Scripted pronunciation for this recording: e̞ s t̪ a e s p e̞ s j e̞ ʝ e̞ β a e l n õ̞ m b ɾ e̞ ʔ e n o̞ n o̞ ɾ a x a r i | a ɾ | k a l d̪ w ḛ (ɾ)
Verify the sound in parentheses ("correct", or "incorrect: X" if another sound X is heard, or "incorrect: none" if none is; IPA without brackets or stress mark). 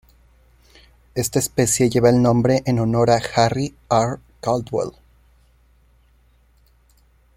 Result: incorrect: l